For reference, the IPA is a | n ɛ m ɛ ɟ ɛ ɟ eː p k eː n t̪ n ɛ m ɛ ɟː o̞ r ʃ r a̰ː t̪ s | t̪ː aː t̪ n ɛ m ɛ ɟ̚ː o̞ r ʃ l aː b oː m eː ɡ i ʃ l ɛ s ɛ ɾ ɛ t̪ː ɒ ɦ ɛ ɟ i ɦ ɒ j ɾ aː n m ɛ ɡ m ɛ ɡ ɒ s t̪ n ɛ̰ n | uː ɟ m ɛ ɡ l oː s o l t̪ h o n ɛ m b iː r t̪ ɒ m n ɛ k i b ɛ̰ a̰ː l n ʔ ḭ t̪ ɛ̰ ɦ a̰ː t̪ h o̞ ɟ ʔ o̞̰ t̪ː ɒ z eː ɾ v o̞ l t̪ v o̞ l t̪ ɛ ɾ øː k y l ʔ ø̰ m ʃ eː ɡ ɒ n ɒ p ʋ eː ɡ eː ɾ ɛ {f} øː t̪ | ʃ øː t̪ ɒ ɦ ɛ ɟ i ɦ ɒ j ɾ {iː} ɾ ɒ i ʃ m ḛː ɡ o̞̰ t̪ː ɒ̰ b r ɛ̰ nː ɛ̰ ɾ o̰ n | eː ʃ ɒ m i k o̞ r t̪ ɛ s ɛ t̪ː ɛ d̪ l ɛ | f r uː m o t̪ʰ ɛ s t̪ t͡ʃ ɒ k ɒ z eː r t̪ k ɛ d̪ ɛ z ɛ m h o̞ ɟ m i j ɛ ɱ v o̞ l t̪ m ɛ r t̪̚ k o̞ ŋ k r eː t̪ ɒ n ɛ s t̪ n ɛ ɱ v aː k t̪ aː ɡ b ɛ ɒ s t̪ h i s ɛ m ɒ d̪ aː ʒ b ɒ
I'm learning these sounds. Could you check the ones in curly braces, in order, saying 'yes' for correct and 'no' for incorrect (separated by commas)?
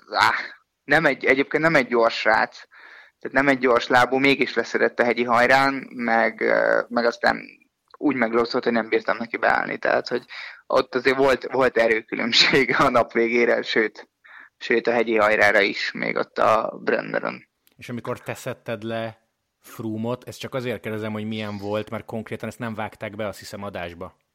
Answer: no, no